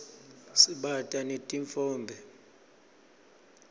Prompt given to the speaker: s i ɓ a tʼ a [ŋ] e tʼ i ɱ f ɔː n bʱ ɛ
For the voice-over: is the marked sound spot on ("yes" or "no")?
no